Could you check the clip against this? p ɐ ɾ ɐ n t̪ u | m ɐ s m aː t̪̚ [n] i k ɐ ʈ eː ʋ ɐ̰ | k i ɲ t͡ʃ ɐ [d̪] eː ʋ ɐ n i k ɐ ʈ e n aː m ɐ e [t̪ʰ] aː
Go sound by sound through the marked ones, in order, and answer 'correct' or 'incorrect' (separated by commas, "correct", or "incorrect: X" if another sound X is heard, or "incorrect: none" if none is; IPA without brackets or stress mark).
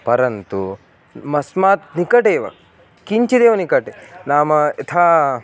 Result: correct, correct, correct